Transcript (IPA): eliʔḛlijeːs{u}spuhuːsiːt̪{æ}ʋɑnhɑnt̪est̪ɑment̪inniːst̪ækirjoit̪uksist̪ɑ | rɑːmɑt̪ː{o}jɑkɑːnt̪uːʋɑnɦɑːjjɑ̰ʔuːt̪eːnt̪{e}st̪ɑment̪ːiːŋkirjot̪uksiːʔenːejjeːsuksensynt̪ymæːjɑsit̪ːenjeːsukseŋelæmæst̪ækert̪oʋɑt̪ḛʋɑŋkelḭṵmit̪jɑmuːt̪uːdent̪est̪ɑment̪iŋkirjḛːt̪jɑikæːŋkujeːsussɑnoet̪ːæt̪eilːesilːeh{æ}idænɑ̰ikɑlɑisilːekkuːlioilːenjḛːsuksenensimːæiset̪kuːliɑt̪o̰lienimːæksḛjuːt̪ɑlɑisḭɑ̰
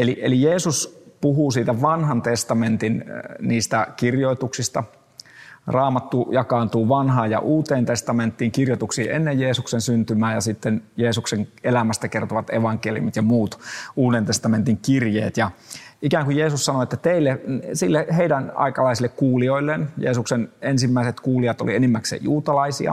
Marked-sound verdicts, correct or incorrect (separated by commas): correct, correct, incorrect, correct, incorrect